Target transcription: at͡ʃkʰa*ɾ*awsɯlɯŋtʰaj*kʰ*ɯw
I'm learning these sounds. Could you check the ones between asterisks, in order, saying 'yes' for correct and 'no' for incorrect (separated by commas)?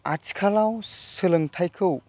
no, yes